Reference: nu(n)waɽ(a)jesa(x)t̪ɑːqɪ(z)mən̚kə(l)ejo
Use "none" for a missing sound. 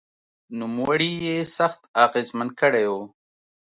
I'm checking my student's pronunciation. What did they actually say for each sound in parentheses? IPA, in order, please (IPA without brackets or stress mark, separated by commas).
m, i, x, z, ɽ